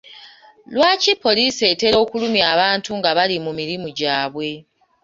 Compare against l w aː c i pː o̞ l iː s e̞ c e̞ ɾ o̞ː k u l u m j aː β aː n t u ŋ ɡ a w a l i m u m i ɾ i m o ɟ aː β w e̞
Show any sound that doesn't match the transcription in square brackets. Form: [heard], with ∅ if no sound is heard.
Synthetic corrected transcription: l w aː c i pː o̞ l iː s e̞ [t] e̞ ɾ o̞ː k u l u m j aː β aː n t u ŋ ɡ a [β] a l i m u m i ɾ i m [u] ɟ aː β w e̞